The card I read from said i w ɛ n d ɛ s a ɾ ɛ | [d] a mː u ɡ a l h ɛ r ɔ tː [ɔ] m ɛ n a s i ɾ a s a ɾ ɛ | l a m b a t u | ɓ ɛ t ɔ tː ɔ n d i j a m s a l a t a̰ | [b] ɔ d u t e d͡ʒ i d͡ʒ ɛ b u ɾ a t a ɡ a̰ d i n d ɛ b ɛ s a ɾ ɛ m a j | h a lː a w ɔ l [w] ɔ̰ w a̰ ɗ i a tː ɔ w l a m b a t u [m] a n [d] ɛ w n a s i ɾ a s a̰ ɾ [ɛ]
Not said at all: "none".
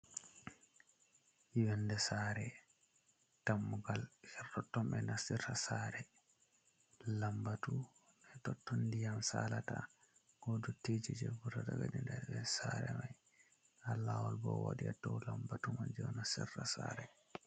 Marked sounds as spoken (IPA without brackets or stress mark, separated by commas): t, ɔ, ɡ, b, m, d͡ʒ, ɛ